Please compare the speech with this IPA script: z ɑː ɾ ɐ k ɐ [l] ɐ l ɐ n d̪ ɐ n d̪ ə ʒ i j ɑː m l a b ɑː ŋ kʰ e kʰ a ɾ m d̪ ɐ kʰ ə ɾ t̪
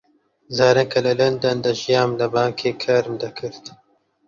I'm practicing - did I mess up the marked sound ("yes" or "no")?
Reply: no